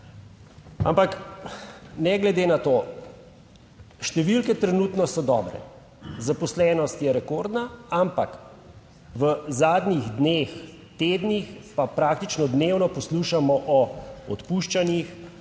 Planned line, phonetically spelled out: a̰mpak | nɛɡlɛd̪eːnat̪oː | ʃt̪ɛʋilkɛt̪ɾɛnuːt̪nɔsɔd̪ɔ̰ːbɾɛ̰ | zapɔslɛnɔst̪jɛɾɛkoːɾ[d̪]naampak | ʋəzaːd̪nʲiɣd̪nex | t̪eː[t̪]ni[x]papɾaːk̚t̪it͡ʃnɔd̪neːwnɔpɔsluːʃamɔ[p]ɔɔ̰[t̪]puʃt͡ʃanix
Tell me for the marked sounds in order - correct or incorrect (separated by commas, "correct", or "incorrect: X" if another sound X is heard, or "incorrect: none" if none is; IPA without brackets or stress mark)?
correct, incorrect: d̪, correct, incorrect: ʔ, correct